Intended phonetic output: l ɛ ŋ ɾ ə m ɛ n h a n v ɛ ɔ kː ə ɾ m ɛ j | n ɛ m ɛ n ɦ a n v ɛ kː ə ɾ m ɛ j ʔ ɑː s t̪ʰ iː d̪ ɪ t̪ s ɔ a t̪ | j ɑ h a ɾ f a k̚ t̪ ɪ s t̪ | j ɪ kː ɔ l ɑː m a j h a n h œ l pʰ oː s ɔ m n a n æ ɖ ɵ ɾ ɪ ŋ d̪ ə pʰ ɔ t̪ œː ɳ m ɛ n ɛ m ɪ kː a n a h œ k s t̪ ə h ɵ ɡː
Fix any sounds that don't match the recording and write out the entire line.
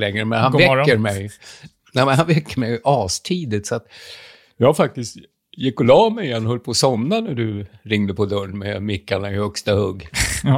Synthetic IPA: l ɛ ŋ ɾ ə m ɛ n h a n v ɛ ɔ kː ə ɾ m ɛ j | n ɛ m ɛ n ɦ a n v ɛ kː ə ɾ m ɛ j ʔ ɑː s t̪ʰ iː d̪ ɪ t̪ s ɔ a t̪ | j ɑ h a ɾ f a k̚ t̪ ɪ s t̪ | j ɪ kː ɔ l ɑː m ɛ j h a n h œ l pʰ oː s ɔ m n a n æ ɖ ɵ ɾ ɪ ŋ d̪ ə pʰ ɔ d̪ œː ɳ m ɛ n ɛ m ɪ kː a n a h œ k s t̪ a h ɵ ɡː